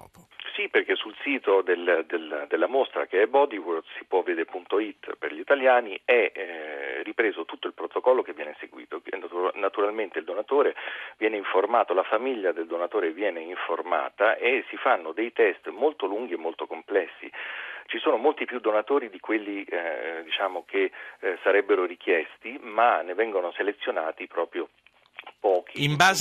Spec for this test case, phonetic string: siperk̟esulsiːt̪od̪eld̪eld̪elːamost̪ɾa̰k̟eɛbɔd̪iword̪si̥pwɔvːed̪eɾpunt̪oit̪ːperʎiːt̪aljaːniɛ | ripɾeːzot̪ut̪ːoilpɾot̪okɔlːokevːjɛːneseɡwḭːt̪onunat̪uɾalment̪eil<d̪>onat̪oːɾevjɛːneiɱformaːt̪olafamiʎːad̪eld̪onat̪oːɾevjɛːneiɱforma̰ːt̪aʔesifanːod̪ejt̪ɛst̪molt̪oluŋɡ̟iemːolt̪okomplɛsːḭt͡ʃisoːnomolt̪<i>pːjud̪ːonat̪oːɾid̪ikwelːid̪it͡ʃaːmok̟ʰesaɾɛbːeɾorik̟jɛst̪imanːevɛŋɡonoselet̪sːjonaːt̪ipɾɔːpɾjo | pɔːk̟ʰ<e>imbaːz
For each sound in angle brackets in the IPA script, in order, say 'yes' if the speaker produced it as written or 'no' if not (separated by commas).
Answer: yes, yes, no